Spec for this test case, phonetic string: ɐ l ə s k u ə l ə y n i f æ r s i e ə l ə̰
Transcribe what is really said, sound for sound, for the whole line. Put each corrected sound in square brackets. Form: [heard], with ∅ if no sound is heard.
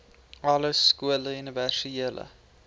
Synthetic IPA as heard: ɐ l ə s k u ə l ə y n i [v] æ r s i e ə l ə̰